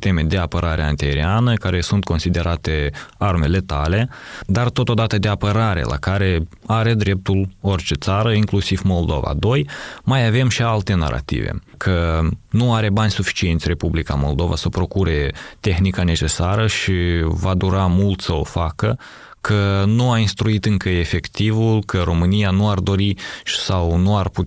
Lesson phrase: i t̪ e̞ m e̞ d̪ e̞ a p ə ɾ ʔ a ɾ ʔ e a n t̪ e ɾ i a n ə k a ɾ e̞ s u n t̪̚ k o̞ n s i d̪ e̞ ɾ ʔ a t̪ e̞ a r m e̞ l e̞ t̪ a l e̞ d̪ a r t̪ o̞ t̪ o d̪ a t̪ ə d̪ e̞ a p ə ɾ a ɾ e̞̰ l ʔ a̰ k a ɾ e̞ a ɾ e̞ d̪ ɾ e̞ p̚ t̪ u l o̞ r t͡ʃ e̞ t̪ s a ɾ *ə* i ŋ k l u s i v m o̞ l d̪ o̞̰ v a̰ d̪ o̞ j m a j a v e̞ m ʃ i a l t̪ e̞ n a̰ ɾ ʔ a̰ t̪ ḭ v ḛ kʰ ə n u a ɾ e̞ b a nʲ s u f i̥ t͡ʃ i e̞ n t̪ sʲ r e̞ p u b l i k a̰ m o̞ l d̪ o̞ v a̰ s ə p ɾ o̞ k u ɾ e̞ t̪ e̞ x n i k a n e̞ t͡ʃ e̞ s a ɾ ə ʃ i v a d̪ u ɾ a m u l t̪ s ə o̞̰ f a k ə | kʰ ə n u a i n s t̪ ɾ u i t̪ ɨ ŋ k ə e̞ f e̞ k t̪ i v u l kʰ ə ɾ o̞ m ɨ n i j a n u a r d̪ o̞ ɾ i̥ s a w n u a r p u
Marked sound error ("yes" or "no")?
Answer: no